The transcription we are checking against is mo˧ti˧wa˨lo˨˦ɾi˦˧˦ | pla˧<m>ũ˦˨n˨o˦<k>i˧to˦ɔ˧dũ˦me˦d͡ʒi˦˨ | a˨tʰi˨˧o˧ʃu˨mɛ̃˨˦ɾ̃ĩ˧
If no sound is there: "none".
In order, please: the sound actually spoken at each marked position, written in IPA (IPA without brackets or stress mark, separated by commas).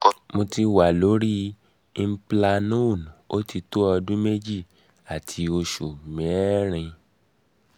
n, t